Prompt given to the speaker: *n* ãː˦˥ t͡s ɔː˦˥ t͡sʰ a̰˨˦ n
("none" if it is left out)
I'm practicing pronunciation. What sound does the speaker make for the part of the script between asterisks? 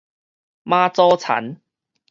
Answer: m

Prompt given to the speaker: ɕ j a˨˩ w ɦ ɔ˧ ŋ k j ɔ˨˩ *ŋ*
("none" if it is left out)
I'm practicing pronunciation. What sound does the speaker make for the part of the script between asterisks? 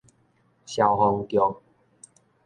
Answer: ŋ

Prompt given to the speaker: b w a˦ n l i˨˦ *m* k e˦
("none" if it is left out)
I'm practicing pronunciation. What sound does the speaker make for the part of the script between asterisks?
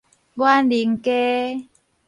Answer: ŋ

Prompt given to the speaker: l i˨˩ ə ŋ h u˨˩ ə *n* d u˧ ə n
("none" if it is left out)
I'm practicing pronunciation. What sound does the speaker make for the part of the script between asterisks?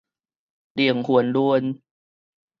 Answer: n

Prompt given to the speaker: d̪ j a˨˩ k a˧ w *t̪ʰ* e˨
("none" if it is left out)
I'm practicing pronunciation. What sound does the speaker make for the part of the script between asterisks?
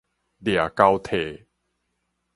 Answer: t̪ʰ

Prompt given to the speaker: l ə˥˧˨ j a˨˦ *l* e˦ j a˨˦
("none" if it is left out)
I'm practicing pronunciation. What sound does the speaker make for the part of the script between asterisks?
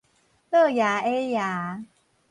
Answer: none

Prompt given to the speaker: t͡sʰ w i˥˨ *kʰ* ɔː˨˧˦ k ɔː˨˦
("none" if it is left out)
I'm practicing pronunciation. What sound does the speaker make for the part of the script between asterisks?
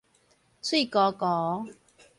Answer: k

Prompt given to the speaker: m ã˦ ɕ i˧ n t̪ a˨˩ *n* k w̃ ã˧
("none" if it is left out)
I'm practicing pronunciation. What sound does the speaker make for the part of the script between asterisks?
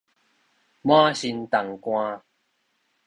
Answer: ŋ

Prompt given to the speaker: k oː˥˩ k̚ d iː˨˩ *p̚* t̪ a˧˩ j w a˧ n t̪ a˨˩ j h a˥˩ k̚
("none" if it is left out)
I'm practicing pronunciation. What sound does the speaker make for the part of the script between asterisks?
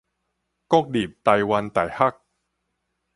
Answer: p̚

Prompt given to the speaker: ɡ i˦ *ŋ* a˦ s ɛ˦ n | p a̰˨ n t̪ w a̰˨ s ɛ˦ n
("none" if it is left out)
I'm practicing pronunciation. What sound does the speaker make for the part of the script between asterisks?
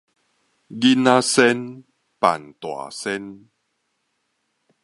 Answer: n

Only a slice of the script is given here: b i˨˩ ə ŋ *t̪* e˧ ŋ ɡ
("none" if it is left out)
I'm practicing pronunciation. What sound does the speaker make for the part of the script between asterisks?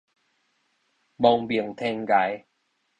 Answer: t̪ʰ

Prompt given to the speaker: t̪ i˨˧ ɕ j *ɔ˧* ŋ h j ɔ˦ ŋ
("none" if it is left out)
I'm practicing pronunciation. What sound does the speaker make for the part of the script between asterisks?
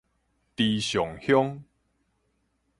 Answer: ɔ˨˩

